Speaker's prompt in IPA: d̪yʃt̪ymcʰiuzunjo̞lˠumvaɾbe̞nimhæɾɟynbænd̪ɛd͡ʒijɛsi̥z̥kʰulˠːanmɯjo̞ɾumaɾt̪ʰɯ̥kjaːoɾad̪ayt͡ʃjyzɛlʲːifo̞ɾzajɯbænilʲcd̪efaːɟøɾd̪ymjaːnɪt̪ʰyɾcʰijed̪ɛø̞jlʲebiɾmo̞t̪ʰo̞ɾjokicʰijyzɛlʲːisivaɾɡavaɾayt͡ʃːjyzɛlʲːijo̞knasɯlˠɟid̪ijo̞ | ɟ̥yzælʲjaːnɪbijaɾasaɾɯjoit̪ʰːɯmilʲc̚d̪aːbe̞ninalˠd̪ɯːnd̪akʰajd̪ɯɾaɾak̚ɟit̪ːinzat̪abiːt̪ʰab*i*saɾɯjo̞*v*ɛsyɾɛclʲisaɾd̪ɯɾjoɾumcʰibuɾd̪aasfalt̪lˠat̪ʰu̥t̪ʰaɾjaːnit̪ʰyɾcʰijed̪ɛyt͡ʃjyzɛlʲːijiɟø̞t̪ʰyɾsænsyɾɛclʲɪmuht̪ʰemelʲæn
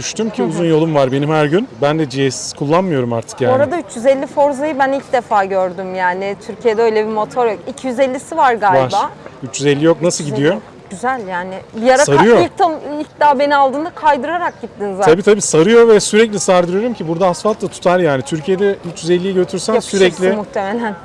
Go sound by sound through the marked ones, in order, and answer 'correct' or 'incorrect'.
incorrect: iː, correct

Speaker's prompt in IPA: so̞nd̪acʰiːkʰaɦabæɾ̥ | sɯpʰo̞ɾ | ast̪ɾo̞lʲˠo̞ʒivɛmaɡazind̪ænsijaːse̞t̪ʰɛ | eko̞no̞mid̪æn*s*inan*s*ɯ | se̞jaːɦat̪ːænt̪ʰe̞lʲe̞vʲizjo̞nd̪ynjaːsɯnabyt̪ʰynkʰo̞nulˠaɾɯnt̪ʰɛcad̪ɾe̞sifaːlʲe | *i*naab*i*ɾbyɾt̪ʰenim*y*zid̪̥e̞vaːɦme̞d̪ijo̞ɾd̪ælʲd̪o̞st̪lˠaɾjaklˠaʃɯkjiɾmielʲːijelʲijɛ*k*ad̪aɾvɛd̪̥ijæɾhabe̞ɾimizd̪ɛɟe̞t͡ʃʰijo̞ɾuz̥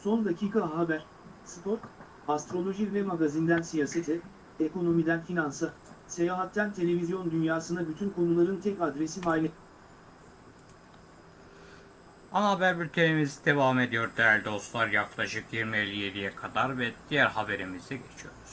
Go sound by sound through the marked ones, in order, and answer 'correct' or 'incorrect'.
incorrect: f, correct, incorrect: a, incorrect: æ, incorrect: i, incorrect: kʰ

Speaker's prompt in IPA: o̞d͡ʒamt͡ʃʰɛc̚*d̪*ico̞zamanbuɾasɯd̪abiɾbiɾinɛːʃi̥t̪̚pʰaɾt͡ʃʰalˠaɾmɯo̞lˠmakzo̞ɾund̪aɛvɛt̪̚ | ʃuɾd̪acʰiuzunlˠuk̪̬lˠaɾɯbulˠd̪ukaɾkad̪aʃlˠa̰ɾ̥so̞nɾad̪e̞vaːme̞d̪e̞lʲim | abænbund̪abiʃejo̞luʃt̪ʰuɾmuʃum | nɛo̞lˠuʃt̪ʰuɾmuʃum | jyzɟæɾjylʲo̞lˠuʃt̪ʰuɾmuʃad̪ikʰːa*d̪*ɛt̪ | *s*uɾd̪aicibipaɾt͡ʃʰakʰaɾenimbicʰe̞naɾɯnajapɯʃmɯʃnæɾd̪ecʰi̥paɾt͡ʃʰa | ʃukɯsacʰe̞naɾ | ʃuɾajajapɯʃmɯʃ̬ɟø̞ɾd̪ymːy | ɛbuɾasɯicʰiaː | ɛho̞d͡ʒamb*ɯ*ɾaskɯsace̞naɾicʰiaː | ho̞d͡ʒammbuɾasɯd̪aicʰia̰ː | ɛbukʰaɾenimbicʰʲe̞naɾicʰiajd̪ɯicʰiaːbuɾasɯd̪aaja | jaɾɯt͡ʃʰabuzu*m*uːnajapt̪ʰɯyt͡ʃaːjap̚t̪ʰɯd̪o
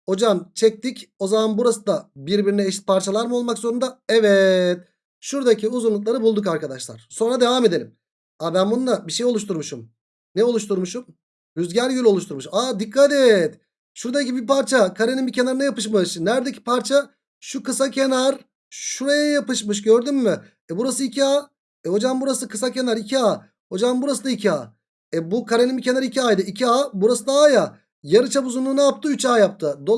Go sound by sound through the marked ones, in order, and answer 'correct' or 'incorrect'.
incorrect: t̪, incorrect: t̪, incorrect: ʃ, incorrect: u, incorrect: n

